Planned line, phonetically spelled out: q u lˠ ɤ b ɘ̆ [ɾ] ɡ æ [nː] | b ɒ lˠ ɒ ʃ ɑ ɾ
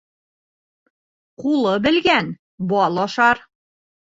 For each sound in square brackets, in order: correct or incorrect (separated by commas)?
incorrect, incorrect